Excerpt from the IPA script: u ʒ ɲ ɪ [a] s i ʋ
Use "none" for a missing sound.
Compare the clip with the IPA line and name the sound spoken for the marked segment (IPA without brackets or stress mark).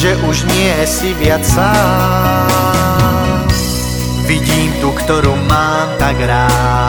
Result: ɛ